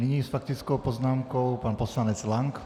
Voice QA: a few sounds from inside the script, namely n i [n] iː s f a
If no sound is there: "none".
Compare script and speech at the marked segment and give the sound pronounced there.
ɲ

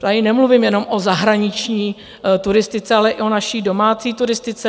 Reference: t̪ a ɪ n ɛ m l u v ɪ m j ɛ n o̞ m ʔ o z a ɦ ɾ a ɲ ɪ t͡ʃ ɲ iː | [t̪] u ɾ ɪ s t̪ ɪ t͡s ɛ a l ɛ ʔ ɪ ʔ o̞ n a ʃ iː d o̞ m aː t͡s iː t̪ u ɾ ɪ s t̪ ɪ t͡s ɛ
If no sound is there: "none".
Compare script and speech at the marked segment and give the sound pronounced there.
t̪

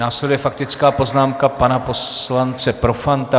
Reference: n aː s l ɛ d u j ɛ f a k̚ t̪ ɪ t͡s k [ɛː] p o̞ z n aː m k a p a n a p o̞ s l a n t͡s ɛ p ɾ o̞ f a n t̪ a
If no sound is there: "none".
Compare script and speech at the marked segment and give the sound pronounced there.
aː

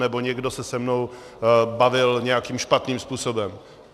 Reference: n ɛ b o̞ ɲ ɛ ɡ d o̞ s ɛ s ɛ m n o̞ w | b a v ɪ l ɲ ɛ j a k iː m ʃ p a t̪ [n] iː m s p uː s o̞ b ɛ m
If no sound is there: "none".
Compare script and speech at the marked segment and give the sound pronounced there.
n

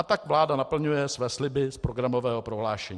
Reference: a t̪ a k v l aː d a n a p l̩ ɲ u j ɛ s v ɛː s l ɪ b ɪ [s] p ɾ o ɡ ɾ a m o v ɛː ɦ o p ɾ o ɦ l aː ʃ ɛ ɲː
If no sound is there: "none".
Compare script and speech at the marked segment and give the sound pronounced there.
s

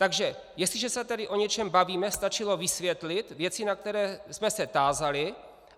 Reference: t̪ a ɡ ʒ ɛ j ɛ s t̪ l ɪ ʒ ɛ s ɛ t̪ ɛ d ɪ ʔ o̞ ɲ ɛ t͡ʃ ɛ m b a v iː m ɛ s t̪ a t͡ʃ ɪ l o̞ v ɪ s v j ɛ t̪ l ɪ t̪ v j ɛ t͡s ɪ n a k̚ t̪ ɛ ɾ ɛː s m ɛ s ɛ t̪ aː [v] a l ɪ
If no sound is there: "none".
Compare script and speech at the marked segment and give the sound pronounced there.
z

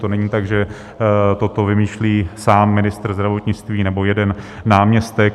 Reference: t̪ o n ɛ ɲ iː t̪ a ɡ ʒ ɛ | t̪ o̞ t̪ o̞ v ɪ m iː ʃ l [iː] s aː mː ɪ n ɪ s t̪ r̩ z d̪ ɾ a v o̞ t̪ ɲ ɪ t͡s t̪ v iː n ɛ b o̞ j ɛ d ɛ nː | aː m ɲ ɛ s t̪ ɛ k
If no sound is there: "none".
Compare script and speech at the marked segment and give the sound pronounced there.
iː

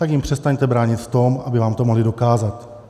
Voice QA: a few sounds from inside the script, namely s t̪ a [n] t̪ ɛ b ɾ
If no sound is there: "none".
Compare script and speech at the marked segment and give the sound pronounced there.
ɲ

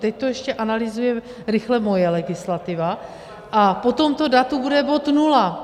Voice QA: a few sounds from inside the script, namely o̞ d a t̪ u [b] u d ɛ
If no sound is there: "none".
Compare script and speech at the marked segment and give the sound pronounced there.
b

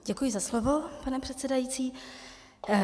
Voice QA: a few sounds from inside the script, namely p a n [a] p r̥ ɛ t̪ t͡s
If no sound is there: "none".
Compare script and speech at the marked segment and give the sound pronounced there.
ɛ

